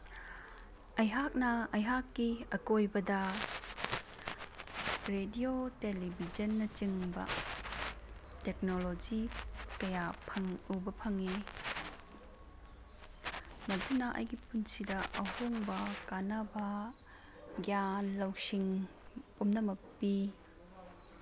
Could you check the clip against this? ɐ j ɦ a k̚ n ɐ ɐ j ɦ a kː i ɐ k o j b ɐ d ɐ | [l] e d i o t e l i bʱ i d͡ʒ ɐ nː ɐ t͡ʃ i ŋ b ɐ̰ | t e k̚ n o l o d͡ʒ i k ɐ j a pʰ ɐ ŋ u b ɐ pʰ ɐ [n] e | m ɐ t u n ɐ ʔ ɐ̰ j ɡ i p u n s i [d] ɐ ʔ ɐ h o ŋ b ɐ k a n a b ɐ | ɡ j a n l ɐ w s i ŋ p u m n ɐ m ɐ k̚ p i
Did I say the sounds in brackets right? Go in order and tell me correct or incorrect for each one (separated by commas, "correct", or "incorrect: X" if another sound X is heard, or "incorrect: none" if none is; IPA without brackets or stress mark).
incorrect: ɾ, incorrect: ŋ, correct